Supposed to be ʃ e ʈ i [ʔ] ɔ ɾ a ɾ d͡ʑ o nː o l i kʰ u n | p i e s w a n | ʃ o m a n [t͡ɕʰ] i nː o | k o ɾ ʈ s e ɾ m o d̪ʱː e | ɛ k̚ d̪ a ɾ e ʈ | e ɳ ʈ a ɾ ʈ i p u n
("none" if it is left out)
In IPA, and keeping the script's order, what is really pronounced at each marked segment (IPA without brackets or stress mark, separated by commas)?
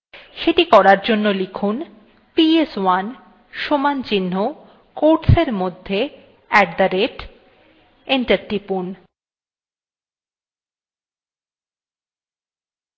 k, t͡ɕ